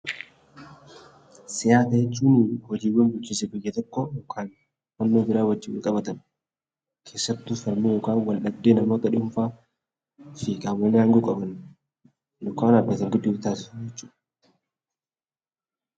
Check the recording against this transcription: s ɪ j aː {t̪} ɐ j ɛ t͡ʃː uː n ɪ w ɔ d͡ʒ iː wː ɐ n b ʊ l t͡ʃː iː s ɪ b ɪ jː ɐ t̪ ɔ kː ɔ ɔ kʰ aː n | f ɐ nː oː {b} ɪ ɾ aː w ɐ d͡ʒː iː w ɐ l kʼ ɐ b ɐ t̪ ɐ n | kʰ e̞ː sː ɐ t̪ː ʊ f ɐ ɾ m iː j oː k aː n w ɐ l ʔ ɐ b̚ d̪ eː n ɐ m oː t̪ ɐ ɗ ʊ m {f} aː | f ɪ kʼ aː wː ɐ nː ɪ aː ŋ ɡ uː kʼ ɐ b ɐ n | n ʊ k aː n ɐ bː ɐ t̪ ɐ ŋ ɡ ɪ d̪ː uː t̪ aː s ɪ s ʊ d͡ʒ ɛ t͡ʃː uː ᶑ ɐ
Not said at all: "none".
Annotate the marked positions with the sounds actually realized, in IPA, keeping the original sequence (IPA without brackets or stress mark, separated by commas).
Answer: t̪, b, f